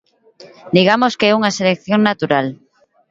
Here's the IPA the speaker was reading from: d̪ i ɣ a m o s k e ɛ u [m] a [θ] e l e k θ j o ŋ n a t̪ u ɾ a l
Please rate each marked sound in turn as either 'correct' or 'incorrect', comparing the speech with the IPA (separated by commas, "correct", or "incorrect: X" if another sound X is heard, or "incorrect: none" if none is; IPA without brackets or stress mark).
incorrect: ŋ, incorrect: s